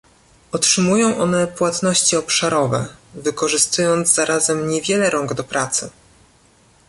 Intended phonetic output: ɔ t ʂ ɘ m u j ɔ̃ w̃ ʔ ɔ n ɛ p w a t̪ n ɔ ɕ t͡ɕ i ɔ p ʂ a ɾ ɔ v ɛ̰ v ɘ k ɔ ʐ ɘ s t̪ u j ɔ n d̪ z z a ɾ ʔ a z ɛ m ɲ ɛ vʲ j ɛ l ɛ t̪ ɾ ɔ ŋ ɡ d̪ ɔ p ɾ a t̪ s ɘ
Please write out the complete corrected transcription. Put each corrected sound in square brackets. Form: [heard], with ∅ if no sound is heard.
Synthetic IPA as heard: ɔ t ʂ ɘ m u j ɔ̃ w̃ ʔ ɔ n ɛ p w a t̪ n ɔ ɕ t͡ɕ i ɔ p ʂ a ɾ ɔ v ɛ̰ v ɘ k ɔ ʐ ɘ s t̪ u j ɔ n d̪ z z a ɾ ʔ a z ɛ m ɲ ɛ vʲ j ɛ l ɛ [∅] ɾ ɔ ŋ ɡ d̪ ɔ p ɾ a t̪ s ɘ